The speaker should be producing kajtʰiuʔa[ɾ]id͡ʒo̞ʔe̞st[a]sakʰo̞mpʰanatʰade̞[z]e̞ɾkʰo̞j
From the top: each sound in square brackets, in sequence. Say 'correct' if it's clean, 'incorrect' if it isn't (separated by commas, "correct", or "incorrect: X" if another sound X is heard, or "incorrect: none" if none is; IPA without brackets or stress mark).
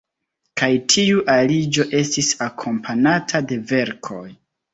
incorrect: l, incorrect: i, incorrect: v